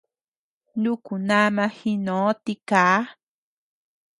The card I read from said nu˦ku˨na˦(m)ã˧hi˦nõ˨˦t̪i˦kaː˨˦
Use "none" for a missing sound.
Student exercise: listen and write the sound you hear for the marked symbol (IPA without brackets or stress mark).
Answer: m